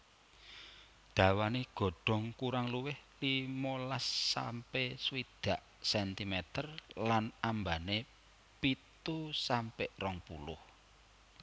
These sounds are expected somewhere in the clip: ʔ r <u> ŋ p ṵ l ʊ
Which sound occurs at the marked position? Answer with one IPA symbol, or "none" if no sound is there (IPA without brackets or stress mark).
ɔ